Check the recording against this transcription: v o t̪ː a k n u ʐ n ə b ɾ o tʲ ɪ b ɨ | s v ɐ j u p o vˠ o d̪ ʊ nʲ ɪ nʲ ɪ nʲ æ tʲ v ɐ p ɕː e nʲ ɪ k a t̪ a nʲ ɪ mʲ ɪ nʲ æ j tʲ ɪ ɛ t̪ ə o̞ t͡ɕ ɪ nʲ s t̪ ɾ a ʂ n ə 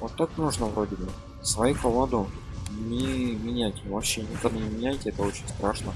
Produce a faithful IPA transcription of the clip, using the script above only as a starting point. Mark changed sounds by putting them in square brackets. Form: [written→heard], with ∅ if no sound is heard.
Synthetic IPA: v o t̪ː a k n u ʐ n ə [b→v] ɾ o [tʲ→dʲ] ɪ b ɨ | s v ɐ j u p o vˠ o d̪ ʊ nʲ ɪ [nʲ→mʲ] ɪ nʲ æ tʲ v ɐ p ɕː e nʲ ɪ k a [t̪→d̪] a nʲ ɪ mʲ ɪ nʲ æ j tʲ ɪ ɛ t̪ ə o̞ t͡ɕ ɪ nʲ s t̪ ɾ a ʂ n ə